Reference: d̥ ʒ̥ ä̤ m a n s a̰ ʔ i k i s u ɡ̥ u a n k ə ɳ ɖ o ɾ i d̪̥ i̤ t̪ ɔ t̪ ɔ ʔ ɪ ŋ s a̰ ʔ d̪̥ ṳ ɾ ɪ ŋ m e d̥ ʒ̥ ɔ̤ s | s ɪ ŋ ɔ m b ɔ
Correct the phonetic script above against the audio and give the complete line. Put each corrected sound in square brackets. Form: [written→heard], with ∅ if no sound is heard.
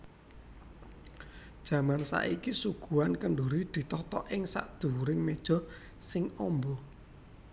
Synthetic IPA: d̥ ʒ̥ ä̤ m a n s a̰ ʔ i k i s u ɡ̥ u a n k ə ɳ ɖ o ɾ i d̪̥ i̤ t̪ ɔ t̪ ɔ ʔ ɪ ŋ s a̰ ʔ d̪̥ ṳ ɾ ɪ ŋ m e d̥ ʒ̥ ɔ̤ [s→∅] | s ɪ ŋ ɔ m b ɔ